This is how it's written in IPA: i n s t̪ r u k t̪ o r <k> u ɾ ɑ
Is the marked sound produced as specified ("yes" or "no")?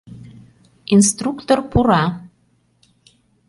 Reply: no